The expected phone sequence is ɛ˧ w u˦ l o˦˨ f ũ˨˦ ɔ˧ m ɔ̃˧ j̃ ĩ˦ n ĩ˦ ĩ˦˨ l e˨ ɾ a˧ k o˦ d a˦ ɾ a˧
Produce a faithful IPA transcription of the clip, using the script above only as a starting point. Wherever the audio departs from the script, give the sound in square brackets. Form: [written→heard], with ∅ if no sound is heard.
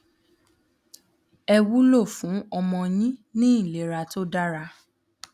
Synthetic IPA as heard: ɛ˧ w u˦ l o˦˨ f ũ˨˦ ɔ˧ m ɔ̃˧ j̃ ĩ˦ n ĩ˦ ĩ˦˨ l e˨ ɾ a˧ [k→t] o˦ d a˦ ɾ a˧